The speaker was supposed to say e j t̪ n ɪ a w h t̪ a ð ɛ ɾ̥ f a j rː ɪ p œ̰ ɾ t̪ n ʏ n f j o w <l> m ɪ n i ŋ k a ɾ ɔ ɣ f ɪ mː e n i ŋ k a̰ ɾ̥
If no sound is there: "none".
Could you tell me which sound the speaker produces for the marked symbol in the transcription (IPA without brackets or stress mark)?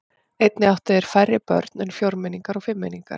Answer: ɾ